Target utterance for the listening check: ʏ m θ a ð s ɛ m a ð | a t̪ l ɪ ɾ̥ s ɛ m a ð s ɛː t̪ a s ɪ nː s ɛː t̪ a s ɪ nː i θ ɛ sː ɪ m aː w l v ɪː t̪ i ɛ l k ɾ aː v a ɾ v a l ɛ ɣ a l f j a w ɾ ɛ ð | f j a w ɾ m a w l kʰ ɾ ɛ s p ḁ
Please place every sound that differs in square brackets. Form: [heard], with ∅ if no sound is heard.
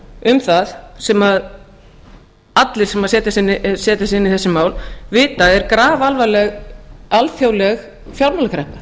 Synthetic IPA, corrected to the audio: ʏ m θ a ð s ɛ m a ð | a t̪ l ɪ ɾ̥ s ɛ m a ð s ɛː t̪ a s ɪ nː s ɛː t̪ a s ɪ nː i θ ɛ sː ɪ m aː w l v ɪː t̪ [a] ɛ [ɾ] k ɾ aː v a [l] v a l ɛ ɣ a l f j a w [l] ɛ [ɣ] | f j a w ɾ m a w l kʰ ɾ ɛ [h] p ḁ